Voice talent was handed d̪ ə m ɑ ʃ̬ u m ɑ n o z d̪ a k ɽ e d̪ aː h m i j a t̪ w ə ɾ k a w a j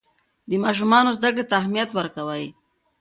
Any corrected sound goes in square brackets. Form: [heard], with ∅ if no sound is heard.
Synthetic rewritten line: d̪ ə m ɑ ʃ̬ u m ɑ n o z d̪ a k ɽ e [t̪] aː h m i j a t̪ w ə ɾ k a w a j